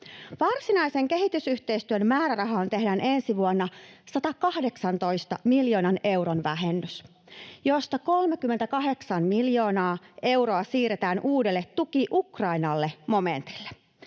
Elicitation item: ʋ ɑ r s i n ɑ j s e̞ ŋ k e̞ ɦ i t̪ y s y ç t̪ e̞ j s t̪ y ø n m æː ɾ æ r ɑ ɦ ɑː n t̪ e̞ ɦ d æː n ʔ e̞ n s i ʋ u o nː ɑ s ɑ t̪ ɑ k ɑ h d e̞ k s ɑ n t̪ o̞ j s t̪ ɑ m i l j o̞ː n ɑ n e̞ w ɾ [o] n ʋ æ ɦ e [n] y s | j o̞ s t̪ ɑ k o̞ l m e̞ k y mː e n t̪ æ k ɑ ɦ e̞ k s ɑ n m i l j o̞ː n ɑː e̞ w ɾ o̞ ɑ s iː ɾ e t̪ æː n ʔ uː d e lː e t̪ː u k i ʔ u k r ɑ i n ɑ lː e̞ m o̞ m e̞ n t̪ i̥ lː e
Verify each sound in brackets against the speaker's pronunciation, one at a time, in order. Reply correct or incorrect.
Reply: correct, incorrect: nː

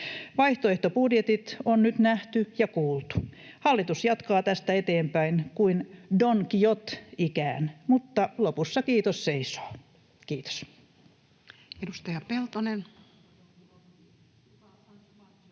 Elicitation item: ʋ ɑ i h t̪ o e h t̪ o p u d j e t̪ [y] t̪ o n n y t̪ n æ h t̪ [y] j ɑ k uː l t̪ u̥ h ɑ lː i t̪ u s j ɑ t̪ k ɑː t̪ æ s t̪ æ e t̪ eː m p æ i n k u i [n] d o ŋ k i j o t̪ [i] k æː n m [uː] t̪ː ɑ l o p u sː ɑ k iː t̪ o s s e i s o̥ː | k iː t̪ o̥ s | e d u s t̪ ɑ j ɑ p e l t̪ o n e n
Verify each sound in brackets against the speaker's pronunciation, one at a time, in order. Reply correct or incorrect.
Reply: incorrect: i, correct, correct, correct, incorrect: u

